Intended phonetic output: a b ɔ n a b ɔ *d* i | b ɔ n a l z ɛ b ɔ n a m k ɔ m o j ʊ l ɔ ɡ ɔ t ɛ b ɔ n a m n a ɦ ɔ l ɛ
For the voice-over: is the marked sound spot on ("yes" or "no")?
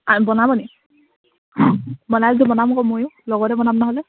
no